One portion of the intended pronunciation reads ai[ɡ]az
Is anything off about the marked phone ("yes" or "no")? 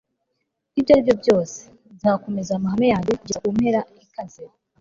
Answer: yes